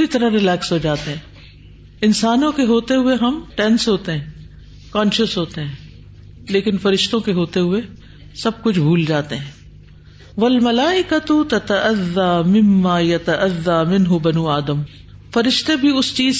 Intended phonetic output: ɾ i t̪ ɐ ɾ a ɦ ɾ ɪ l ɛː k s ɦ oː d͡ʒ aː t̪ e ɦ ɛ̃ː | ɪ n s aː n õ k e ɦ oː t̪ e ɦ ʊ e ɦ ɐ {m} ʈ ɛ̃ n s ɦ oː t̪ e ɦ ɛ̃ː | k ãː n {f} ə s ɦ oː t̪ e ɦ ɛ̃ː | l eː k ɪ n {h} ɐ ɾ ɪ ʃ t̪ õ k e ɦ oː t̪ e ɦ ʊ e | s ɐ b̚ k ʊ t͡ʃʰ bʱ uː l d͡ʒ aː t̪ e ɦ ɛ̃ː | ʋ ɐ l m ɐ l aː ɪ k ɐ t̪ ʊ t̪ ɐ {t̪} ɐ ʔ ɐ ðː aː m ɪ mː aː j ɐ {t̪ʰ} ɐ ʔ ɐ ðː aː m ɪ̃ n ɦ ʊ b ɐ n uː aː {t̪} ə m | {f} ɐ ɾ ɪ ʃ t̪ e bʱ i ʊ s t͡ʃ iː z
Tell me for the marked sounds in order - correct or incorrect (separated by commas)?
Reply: correct, incorrect, incorrect, correct, incorrect, incorrect, correct